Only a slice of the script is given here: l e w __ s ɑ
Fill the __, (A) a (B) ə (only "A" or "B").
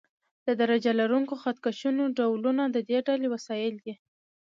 A